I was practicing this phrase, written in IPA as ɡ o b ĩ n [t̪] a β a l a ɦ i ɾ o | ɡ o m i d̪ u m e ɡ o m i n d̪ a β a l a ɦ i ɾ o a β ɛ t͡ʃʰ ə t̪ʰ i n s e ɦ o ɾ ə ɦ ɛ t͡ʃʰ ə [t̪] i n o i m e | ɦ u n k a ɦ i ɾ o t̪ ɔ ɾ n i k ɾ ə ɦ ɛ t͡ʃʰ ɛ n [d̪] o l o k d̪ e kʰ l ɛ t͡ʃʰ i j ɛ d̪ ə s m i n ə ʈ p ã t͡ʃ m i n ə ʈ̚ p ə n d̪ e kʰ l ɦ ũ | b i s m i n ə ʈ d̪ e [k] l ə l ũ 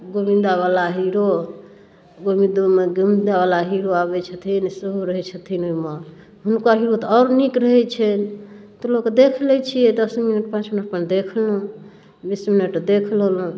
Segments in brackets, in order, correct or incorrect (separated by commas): incorrect, incorrect, incorrect, incorrect